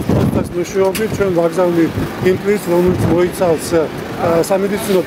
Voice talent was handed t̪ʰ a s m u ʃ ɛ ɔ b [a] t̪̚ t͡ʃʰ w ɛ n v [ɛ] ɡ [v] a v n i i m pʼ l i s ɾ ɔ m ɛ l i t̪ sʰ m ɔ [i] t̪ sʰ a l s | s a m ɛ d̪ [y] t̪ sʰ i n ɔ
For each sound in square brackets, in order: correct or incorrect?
incorrect: i, incorrect: a, incorrect: z, correct, incorrect: i

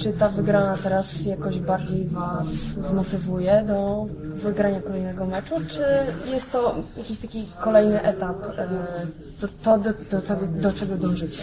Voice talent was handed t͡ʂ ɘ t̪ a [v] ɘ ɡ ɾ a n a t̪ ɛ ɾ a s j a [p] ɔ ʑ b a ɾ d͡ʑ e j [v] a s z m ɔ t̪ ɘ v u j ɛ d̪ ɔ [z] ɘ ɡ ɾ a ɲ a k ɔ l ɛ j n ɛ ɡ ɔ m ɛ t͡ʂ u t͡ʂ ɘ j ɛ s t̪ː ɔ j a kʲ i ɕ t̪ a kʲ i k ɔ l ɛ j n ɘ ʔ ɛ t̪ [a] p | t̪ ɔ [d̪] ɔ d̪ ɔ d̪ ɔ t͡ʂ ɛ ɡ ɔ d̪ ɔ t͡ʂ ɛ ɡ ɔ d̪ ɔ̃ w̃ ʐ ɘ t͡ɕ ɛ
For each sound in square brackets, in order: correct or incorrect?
correct, incorrect: k, correct, incorrect: v, correct, incorrect: t̪

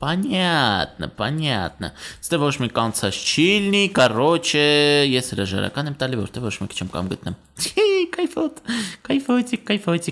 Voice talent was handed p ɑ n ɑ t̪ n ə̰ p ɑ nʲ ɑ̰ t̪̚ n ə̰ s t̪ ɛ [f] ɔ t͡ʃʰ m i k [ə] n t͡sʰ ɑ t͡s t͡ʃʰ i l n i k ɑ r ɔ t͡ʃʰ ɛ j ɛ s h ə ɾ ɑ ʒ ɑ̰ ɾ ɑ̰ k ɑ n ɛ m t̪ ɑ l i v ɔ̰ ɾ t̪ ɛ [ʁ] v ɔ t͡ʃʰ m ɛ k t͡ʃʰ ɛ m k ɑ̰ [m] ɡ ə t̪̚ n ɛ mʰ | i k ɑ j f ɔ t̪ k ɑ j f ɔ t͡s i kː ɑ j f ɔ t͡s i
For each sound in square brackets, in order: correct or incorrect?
incorrect: v, incorrect: ɑ, incorrect: v, correct

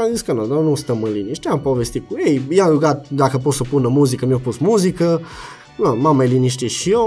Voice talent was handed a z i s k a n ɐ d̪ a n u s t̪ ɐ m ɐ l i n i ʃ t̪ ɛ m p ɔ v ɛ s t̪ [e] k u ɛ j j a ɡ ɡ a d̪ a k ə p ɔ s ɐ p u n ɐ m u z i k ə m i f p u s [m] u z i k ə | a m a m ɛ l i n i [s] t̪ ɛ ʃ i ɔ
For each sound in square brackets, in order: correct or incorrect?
incorrect: i, correct, incorrect: ʃ

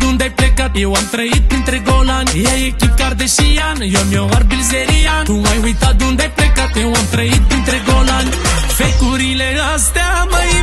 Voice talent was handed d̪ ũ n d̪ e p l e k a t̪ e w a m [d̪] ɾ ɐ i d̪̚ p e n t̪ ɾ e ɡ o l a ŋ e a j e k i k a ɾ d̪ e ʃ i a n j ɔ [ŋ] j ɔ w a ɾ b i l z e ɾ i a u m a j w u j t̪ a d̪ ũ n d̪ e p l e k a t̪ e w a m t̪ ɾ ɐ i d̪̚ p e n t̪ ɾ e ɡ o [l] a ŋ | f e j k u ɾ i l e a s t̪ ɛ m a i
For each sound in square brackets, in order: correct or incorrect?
incorrect: t̪, incorrect: m, correct

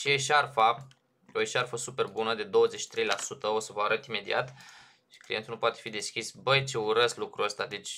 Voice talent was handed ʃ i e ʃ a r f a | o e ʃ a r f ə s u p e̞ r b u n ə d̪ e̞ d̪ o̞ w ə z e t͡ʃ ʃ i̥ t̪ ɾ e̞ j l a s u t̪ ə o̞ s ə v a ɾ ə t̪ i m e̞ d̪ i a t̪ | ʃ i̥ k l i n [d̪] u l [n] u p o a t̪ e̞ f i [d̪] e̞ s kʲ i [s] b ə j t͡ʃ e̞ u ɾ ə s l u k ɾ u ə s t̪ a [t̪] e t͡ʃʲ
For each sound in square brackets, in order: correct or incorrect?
incorrect: t̪, correct, correct, correct, incorrect: d̪

